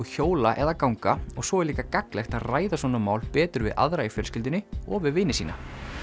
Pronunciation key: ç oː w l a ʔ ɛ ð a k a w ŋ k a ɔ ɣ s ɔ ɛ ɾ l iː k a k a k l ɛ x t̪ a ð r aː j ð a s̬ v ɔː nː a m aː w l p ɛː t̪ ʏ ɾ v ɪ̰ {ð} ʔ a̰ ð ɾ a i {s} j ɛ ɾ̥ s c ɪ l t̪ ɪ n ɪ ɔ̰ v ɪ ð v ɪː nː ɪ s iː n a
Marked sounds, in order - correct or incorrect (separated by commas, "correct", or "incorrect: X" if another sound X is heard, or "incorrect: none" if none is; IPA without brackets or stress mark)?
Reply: correct, incorrect: f